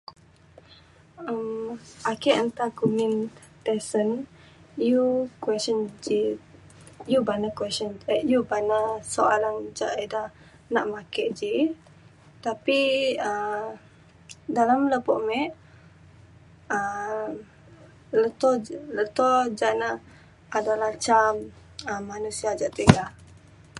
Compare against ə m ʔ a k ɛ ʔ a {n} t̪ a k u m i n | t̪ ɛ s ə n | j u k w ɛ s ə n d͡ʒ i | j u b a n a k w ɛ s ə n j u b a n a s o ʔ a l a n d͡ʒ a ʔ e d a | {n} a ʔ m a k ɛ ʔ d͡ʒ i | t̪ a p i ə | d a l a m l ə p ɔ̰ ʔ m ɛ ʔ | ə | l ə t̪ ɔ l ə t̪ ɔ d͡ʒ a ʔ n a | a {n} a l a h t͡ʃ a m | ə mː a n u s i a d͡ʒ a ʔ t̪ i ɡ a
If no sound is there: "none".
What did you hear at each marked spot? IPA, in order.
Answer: n, n, d

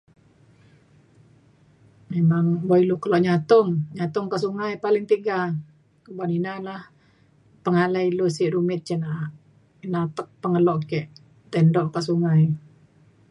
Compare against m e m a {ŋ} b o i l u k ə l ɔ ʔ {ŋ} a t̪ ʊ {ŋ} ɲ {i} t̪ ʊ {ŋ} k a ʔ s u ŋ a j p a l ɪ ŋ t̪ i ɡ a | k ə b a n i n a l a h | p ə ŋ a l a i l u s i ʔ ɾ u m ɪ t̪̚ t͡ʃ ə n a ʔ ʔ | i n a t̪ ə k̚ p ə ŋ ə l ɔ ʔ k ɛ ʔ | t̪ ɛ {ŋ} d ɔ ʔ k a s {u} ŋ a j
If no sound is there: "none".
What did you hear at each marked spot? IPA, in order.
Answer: ŋ, ɲ, ŋ, a, ŋ, n, u

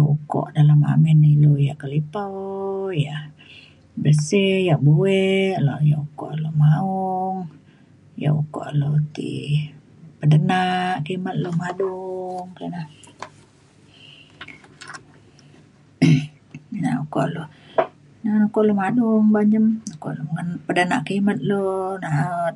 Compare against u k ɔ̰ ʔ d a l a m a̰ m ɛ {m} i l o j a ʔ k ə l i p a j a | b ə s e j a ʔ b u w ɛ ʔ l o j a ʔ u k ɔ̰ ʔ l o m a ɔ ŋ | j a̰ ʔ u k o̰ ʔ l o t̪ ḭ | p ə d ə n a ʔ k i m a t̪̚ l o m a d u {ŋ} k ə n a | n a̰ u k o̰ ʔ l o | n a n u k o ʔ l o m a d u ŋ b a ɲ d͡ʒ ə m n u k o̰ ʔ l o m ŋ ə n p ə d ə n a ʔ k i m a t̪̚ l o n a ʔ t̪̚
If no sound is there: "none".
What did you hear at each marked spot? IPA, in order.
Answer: n, ŋ

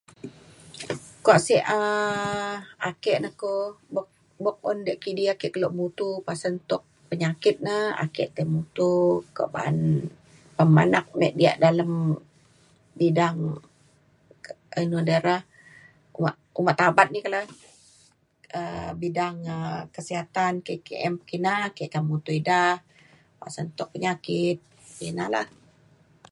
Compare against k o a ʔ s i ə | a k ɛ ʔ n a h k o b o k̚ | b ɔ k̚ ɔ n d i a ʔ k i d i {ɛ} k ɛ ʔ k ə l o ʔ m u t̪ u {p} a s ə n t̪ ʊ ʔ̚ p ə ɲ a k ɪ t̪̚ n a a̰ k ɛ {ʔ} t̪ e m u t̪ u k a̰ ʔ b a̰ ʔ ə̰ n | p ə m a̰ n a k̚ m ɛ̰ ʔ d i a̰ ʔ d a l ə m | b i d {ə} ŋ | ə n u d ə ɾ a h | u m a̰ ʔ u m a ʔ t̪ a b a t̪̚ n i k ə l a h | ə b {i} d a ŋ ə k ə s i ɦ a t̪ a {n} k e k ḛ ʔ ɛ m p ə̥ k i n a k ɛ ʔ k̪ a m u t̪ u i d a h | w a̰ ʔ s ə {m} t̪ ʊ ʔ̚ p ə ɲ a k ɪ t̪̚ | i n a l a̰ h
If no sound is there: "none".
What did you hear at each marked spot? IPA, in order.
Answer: a, p, ʔ, a, i, n, n

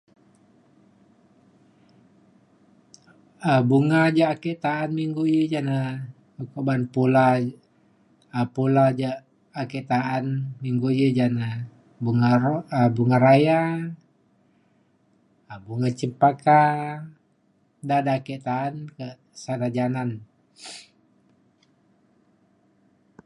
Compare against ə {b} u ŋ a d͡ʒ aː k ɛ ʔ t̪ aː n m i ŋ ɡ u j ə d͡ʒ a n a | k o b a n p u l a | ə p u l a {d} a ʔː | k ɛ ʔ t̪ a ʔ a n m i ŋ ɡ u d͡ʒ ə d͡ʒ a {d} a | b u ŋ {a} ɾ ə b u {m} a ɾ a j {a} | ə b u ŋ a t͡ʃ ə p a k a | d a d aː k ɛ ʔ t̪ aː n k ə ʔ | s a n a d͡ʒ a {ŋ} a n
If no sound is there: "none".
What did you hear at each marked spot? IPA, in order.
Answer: b, d͡ʒ, n, a, ŋ, a, n

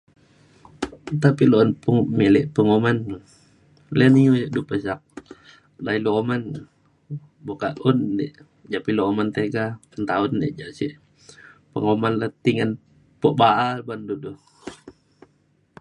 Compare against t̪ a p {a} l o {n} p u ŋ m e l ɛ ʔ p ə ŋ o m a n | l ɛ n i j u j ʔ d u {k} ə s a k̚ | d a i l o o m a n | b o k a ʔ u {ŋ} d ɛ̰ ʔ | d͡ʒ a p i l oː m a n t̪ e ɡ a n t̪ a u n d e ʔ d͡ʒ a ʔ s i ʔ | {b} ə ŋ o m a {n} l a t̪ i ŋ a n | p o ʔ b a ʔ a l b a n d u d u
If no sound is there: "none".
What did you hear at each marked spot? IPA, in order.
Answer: i, n, p, n, p, n

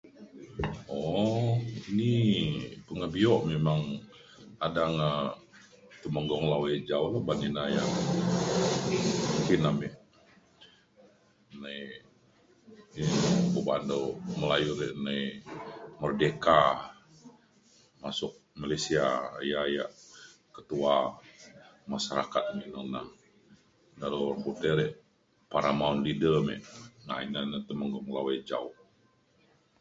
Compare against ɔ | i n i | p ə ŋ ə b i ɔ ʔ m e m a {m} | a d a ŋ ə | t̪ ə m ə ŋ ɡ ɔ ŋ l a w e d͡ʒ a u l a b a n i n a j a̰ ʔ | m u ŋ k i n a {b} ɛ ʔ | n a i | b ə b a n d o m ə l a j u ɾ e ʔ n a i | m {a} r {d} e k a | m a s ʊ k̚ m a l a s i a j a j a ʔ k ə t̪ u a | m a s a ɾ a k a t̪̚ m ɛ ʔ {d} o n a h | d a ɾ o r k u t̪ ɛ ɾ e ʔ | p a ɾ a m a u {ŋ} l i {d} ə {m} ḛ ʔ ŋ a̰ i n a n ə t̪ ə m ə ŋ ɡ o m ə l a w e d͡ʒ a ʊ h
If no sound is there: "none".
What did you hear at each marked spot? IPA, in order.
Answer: ŋ, m, ə, d, n, n, d, m

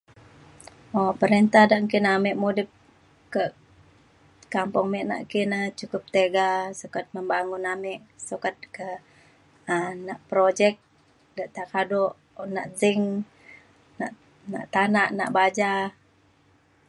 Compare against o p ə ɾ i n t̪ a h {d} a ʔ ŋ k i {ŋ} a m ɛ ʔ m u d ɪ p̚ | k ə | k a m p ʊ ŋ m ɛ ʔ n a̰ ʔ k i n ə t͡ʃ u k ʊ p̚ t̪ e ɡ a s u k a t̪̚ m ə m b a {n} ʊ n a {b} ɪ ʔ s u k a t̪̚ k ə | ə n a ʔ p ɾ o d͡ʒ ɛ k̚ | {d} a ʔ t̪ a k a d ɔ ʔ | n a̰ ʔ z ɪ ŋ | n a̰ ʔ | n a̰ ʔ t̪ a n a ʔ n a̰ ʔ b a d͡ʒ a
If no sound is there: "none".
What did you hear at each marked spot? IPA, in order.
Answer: d, n, ŋ, m, d

